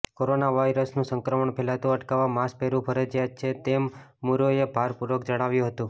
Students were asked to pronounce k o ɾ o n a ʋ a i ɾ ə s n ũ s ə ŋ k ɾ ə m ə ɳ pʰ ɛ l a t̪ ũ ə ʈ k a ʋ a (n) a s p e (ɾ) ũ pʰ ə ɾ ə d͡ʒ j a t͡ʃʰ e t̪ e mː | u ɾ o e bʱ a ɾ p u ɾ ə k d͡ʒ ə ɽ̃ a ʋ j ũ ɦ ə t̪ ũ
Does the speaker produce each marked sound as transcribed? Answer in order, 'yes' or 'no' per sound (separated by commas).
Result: no, yes